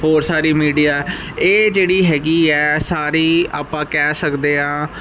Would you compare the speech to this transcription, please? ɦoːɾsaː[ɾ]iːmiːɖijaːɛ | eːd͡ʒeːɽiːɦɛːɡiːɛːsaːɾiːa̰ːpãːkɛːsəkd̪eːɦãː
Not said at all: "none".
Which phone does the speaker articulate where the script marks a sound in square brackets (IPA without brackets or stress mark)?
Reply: ɾ